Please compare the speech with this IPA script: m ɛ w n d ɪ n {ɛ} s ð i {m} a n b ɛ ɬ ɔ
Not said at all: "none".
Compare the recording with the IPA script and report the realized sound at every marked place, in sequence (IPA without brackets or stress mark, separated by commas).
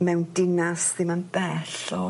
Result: a, m